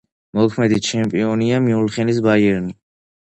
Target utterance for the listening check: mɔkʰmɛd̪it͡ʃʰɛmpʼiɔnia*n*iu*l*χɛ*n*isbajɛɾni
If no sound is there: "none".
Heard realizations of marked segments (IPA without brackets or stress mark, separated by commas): m, l, n